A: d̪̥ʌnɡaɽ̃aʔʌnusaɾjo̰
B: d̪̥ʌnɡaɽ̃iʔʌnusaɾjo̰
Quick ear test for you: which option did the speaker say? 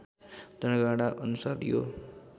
A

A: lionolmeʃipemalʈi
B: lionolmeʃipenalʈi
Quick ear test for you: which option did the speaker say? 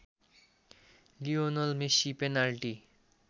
B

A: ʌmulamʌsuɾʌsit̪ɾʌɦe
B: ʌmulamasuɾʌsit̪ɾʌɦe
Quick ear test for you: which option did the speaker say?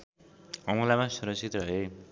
B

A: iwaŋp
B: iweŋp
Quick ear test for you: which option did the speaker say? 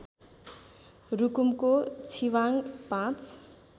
A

